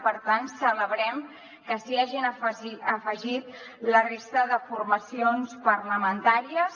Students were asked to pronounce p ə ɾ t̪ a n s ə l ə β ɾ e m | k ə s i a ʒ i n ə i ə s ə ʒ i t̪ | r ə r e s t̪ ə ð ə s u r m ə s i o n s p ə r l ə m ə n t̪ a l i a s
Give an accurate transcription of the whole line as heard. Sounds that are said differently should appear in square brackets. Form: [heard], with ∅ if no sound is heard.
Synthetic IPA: p ə ɾ t̪ a n s ə l ə β ɾ [ɛ] m | k ə s i a ʒ i n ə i ə [f] ə ʒ i t̪ | [l] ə r e s t̪ ə ð ə [f] u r m ə s i o n s p ə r l ə m ə n t̪ a [ɾ] i [ə] s